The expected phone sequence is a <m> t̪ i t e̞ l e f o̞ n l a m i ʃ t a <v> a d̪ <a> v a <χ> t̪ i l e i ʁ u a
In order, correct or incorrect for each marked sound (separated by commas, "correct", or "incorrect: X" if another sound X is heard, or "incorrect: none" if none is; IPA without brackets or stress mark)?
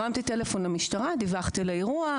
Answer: correct, incorrect: ʁ, incorrect: i, correct